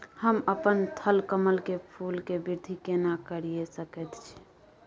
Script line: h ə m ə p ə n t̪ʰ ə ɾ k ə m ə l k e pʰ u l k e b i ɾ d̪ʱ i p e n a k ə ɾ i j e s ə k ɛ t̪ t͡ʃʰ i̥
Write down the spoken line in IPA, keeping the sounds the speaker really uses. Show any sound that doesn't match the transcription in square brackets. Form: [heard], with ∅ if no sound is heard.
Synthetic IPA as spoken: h ə m ə p ə n t̪ʰ ə [l] k ə m ə l k e pʰ u l k e b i ɾ d̪ʱ i [k] e n a k ə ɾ i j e s ə k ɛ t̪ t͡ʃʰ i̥